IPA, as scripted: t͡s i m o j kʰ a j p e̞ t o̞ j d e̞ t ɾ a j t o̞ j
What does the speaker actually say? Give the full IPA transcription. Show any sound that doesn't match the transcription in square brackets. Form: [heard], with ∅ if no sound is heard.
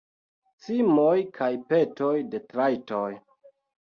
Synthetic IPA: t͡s i m o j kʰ a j p e̞ t o̞ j d e̞ t ɾ a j t o̞ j